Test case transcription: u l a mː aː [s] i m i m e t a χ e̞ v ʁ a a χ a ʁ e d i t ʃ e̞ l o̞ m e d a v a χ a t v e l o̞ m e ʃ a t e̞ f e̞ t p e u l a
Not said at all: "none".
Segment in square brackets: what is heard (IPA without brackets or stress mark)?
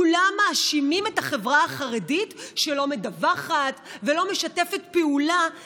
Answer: ʃ